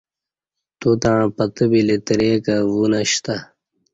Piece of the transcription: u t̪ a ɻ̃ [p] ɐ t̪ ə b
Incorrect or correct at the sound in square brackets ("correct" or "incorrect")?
correct